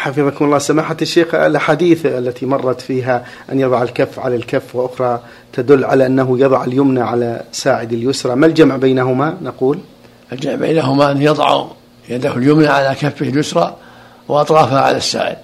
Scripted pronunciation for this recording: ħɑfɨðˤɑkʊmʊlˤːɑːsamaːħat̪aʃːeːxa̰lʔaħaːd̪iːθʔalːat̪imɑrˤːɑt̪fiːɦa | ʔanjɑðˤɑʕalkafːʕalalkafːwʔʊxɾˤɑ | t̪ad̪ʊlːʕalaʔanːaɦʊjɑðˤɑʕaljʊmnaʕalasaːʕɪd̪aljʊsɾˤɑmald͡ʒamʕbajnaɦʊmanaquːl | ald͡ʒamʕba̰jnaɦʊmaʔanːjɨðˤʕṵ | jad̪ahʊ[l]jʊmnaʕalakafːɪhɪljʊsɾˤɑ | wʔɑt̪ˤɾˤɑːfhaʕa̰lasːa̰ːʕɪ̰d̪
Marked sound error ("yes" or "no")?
no